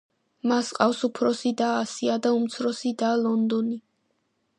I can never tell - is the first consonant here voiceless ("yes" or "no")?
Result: no